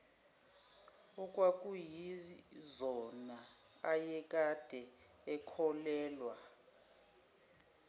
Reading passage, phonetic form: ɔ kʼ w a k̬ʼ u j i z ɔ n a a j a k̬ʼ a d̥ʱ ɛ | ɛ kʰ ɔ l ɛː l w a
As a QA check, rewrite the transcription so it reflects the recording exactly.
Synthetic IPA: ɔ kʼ w a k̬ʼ u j i z ɔ n a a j ɛ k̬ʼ a d̥ʱ ɛ | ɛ kʰ ɔ l ɛː l w a